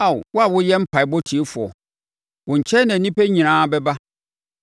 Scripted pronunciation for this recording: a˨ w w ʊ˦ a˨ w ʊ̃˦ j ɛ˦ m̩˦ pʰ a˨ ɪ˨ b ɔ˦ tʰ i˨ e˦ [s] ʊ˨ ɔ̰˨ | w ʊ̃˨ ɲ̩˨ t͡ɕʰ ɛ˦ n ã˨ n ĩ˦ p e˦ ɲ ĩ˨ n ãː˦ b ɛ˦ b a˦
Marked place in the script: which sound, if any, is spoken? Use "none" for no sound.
f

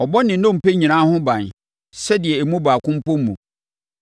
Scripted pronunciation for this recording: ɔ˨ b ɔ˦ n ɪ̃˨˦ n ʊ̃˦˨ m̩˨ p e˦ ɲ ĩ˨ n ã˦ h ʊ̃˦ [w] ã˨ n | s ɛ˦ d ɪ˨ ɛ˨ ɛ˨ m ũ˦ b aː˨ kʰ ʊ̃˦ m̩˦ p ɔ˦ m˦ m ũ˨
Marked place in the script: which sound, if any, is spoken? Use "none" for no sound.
b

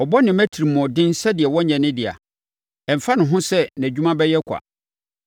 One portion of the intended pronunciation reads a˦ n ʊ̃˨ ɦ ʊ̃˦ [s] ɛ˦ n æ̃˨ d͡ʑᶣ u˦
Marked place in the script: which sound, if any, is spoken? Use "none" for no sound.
s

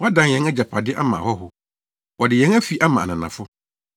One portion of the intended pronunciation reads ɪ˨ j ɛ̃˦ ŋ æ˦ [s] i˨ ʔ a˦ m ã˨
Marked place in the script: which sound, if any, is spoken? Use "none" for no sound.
f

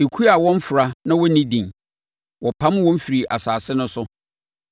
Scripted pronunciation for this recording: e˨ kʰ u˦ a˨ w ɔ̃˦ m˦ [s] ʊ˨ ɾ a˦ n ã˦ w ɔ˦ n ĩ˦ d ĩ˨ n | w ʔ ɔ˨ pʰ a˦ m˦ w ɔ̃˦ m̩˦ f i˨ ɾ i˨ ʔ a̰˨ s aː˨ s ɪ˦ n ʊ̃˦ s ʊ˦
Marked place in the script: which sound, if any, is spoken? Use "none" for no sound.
f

